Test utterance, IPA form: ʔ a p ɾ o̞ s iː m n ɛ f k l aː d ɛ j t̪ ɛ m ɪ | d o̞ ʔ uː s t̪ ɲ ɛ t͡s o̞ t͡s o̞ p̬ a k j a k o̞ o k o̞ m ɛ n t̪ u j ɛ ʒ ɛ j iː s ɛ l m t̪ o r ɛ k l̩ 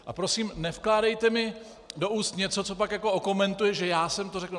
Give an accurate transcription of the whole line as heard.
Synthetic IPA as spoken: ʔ a p ɾ o̞ s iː m n ɛ f k l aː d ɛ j t̪ ɛ m ɪ | d o̞ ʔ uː s t̪ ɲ ɛ t͡s o̞ t͡s o̞ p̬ a k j a k o̞ o k o̞ m ɛ n t̪ u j ɛ ʒ ɛ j aː s ɛ m t̪ o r ɛ k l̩

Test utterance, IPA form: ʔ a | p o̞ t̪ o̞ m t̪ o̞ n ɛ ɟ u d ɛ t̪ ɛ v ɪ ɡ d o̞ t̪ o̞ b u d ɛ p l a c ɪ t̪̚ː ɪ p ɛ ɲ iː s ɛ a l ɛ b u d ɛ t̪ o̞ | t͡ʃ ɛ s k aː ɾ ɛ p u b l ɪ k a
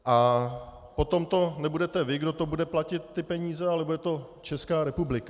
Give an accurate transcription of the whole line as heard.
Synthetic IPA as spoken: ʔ a | p o̞ t̪ o̞ m t̪ o̞ n ɛ b u d ɛ t̪ ɛ v ɪ ɡ d o̞ t̪ o̞ b u d ɛ p l a c ɪ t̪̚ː ɪ p ɛ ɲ iː z ɛ a l ɛ b u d ɛ t̪ o̞ | t͡ʃ ɛ s k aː ɾ ɛ p u b l ɪ k a

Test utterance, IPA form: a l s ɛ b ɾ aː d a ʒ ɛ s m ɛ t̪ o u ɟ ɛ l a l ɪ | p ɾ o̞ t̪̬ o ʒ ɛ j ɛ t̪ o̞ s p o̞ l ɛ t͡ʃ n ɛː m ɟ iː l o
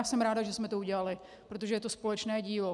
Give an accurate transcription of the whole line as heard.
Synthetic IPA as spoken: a s ɛ m ɾ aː d a ʒ ɛ s m ɛ t̪ o u ɟ ɛ l a l ɪ | p ɾ o̞ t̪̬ o ʒ ɛ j ɛ t̪ o̞ s p o̞ l ɛ t͡ʃ n ɛː ɟ iː l o

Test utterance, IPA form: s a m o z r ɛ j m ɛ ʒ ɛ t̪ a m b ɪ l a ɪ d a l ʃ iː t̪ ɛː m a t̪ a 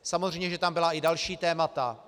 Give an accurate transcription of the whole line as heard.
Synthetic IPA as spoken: s a m o z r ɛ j ɲ ɛ ʒ ɛ t̪ a m b ɪ l a ɪ d a l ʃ iː t̪ ɛː m a t̪ a

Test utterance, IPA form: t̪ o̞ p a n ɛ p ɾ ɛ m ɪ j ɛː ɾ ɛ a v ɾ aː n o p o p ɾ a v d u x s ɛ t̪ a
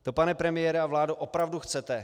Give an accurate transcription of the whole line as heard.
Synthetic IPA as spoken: t̪ o̞ p a n ɛ p ɾ ɛ m ɪ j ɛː ɾ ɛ a v l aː d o ʔ o p ɾ a v d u x t͡s ɛ t̪ ɛ

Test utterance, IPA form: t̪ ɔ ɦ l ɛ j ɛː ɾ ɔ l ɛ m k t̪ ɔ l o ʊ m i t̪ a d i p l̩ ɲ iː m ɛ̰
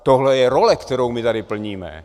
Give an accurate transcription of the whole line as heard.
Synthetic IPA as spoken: t̪ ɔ ɦ l ɛ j ɛ ɾ ɔ l ɛ k t̪ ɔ ɾ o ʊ m i t̪ a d i p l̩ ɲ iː m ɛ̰

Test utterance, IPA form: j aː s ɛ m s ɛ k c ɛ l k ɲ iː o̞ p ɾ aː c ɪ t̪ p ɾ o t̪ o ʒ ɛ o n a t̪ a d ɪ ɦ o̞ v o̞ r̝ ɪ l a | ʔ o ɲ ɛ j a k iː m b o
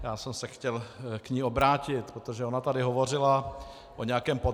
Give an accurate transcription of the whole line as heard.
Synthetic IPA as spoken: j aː s ɛ m s ɛ x c ɛ l k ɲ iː o̞ b ɾ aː c ɪ t̪ p ɾ o t̪ o ʒ ɛ o n a t̪ a d ɪ ɦ o̞ v o̞ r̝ ɪ l a | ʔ o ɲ ɛ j a k ɛː m p o

